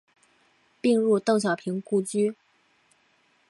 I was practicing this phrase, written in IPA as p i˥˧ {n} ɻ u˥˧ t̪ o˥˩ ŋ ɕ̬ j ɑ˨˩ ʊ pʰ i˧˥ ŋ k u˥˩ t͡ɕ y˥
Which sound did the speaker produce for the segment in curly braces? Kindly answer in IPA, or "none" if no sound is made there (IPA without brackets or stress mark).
ŋ